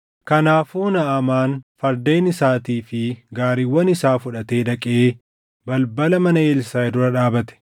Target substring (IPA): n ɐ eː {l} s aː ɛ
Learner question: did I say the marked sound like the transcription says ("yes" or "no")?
yes